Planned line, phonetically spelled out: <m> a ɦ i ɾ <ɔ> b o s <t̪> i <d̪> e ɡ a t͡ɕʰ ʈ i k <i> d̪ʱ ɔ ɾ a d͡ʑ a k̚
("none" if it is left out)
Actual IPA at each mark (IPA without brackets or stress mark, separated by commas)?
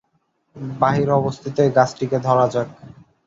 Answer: b, ɔ, t̪ʰ, t̪, e